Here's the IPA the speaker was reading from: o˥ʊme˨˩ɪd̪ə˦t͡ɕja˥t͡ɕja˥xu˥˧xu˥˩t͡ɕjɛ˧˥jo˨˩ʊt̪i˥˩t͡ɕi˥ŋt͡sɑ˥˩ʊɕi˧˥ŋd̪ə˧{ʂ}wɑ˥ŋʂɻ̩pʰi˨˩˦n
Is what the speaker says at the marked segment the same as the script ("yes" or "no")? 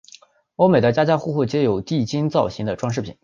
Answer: no